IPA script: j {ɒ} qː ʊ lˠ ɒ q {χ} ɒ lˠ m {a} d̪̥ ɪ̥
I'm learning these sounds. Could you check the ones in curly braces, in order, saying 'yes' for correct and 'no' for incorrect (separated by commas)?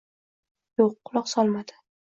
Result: no, no, yes